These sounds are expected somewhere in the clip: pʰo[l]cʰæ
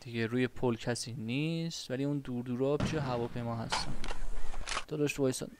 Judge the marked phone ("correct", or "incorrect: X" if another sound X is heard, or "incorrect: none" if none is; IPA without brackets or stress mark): correct